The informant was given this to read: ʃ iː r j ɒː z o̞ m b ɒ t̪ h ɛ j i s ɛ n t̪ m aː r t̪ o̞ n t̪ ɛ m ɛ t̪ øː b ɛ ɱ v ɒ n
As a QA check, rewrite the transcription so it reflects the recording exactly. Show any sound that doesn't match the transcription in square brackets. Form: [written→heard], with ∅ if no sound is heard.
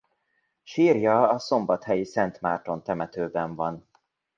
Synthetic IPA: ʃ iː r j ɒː [z→s] o̞ m b ɒ t̪ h ɛ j i s ɛ n t̪ m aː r t̪ o̞ n t̪ ɛ m ɛ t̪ øː b ɛ ɱ v ɒ n